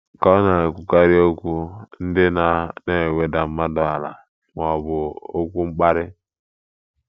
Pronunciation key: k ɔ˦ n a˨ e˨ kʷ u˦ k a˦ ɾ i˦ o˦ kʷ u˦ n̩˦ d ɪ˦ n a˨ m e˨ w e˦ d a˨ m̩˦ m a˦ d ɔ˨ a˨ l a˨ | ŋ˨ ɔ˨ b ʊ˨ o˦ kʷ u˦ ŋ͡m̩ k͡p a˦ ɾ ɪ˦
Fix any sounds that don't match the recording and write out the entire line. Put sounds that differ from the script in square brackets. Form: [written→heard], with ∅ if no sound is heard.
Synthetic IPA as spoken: k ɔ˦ n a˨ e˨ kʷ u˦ k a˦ ɾ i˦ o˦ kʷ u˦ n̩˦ d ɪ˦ n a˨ [m→n] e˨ w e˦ d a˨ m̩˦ m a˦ d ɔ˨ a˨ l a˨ | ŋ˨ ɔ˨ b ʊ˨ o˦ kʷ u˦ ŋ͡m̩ k͡p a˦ ɾ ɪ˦